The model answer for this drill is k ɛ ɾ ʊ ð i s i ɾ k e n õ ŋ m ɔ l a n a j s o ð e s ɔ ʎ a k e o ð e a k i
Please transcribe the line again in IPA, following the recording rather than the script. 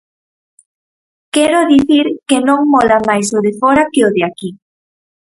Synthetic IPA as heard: k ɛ ɾ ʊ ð i θ i ɾ k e n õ ŋ m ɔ l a m a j s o ð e f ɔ ɾ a k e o ð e a k i